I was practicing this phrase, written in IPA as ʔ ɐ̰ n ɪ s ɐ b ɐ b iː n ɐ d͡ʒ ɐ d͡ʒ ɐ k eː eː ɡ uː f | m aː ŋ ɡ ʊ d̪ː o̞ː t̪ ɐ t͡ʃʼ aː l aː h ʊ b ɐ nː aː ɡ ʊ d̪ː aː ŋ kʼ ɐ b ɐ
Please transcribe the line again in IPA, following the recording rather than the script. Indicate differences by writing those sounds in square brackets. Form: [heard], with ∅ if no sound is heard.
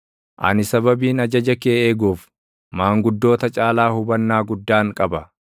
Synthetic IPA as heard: ʔ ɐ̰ n ɪ s ɐ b ɐ b iː n ɐ d͡ʒ ɐ d͡ʒ ɐ k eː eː ɡ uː f | m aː ŋ ɡ ʊ d̪ː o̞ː t̪ ɐ t͡ʃʼ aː l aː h ʊ b ɐ nː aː ɡ ʊ d̪ː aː ŋ kʼ ɐ b ɐ